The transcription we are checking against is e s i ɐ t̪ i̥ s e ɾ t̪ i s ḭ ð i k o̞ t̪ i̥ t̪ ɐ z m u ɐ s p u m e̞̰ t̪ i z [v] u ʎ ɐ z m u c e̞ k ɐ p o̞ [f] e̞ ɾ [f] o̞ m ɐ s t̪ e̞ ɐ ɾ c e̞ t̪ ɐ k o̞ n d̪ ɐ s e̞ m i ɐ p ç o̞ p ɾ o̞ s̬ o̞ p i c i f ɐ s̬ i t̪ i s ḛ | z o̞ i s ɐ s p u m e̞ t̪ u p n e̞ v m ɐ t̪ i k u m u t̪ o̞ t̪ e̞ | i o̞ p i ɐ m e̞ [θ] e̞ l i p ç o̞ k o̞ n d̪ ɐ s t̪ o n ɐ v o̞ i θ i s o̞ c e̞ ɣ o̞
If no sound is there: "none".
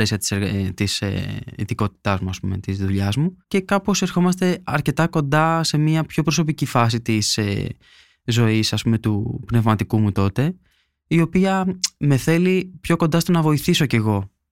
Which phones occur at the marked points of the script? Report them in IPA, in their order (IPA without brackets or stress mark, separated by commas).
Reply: ð, s, x, θ